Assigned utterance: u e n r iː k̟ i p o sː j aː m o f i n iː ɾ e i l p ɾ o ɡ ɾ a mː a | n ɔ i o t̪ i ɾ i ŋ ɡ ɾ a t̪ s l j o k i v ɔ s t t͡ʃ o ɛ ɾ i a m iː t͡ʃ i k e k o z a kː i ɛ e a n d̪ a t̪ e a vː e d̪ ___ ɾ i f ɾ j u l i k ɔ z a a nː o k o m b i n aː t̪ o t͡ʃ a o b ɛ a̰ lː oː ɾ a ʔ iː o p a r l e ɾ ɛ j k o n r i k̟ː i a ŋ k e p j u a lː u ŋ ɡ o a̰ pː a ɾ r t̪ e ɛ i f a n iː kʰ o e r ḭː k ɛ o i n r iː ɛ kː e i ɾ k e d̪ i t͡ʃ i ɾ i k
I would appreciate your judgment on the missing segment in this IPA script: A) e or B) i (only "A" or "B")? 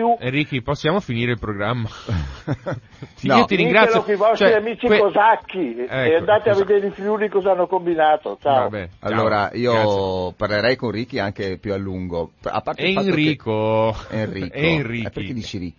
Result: A